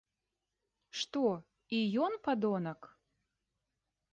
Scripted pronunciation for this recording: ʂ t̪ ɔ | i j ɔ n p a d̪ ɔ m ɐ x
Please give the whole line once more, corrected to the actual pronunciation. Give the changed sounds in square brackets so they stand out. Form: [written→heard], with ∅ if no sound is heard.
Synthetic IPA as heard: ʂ t̪ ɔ | i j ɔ n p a d̪ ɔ [m→n] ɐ [x→k]